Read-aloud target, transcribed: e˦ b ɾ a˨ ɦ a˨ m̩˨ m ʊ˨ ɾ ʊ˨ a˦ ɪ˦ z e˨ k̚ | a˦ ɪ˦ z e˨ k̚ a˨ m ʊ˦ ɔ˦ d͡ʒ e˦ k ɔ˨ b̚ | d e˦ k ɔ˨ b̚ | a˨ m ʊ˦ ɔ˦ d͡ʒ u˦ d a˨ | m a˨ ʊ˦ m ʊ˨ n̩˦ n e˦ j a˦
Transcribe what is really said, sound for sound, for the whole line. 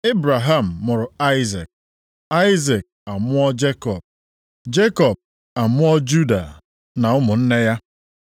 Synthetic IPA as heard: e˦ b ɾ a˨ ɦ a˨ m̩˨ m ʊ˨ ɾ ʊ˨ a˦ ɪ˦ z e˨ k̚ | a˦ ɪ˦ z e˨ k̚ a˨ m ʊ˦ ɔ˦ d͡ʒ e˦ k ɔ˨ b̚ | d͡ʒ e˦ k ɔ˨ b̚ | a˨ m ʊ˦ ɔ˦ d͡ʒ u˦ d a˨ | n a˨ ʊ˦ m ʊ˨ n̩˦ n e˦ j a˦